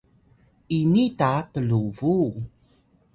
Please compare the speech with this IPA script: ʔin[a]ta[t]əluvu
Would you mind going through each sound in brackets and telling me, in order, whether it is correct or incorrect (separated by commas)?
incorrect, correct